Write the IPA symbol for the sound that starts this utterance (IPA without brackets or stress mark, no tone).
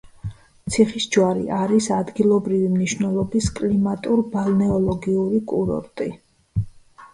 t̪